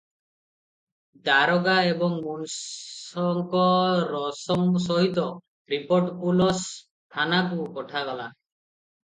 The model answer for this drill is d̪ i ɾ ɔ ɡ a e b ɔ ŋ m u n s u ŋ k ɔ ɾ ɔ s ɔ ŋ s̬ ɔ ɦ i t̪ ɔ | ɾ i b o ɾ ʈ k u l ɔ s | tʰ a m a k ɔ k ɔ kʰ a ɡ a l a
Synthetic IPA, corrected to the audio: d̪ a ɾ ɔ ɡ a e b ɔ ŋ m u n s ɔ ŋ k ɔ ɾ ɔ s ɔ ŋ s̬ ɔ ɦ i t̪ ɔ | ɾ i p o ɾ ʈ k u l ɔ s | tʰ a n a k u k ɔ ʈʰ a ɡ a l a